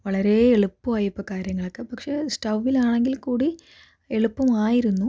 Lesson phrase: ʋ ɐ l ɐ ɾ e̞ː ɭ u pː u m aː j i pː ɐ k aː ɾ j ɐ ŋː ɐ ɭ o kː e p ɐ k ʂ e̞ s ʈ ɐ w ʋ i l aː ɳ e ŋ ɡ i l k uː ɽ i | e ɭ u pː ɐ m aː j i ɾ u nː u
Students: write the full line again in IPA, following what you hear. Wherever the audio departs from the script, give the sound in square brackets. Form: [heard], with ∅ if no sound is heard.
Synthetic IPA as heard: ʋ ɐ [ɭ] ɐ ɾ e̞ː ɭ u pː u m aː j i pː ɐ k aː ɾ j ɐ ŋː ɐ ɭ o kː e p ɐ k ʂ e̞ s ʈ ɐ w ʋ i l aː ɳ e ŋ ɡ i l k uː ɽ i | e ɭ u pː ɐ m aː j i ɾ u nː u